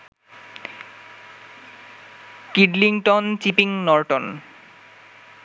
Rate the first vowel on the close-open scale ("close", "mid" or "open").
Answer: close